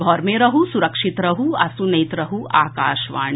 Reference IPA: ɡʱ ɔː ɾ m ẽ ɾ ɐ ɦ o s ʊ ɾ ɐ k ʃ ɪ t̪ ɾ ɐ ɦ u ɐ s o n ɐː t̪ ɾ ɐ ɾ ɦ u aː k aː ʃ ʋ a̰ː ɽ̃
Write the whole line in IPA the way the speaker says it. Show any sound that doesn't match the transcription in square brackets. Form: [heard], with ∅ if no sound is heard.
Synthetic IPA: ɡʱ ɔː ɾ m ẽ ɾ ɐ ɦ [u] s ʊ ɾ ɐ k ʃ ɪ t̪ ɾ ɐ ɦ u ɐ s [u] n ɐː t̪ ɾ ɐ [∅] ɦ u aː k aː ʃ ʋ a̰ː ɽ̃